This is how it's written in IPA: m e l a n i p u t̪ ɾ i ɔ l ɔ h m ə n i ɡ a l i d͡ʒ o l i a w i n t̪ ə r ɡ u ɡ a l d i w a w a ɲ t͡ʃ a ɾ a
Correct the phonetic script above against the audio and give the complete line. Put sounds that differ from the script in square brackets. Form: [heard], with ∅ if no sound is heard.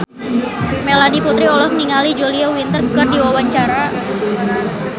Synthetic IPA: m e l a n i p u t̪ ɾ i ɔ l ɔ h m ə n i [ŋ] a l i d͡ʒ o l i a w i n t̪ ə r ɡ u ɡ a [r] d i w a w a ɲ t͡ʃ a ɾ a